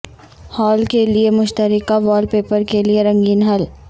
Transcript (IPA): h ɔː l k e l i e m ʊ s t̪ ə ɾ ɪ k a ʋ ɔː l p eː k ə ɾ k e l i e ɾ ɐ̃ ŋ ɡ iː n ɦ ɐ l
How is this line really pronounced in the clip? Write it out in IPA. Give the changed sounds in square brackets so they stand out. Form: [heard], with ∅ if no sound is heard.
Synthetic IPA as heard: h ɔː l k e l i e m ʊ [ʃ] t̪ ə ɾ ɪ k a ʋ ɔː l p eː [p] ə ɾ k e l i e ɾ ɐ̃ ŋ ɡ iː n ɦ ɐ l